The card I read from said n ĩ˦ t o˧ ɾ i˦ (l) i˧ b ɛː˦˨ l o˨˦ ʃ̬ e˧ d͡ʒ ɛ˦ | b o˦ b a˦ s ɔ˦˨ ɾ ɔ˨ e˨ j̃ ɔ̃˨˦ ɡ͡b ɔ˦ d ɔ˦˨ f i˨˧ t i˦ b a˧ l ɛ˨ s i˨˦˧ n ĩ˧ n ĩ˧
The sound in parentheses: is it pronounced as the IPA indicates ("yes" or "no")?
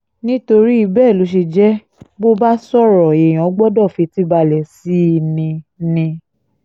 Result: no